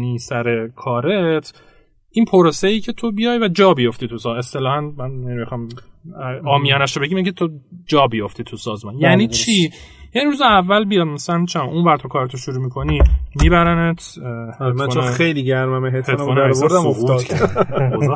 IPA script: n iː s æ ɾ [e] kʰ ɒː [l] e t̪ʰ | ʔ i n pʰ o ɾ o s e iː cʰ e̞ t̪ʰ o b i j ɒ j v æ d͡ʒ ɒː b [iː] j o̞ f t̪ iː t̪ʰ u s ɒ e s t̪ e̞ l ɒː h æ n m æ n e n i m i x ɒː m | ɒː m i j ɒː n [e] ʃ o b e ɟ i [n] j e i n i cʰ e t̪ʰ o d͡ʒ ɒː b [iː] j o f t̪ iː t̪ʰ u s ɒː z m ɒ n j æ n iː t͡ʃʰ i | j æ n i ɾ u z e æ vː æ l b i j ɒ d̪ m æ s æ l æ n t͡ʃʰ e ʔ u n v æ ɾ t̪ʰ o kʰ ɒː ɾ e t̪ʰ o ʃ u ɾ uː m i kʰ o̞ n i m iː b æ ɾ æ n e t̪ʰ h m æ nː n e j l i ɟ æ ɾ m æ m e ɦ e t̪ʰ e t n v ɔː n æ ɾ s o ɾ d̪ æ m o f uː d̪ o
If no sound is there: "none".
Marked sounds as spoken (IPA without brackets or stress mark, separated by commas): e, ɾ, i, æ, m, i